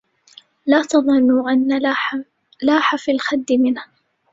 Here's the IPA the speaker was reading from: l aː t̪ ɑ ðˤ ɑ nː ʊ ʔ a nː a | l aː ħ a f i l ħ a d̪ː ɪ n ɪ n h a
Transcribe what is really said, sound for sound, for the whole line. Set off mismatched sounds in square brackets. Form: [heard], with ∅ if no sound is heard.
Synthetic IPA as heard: l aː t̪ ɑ ðˤ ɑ nː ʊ ʔ a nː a | l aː ħ a f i l [x] a d̪ː ɪ [m] ɪ n h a